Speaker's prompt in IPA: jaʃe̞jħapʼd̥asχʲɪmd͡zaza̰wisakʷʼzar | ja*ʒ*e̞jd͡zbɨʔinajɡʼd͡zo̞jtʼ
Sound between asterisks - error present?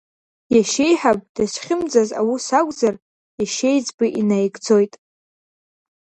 yes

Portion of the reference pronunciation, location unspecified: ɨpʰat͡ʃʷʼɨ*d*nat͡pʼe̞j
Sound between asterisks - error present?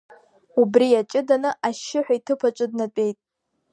no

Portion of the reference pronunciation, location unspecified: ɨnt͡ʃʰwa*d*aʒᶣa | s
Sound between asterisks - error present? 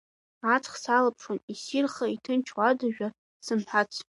no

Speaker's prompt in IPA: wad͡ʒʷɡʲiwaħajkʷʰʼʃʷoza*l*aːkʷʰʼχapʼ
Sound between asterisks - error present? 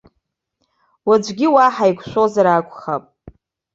yes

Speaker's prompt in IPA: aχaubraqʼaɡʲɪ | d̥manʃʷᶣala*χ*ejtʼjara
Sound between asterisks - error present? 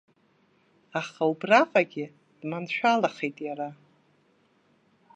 no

